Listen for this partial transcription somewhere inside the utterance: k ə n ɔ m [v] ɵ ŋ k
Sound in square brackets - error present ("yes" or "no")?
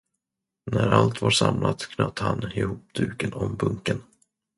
yes